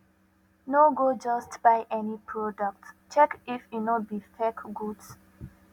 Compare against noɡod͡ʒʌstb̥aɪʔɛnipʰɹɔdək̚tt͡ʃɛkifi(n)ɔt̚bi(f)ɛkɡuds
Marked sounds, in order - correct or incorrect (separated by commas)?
correct, correct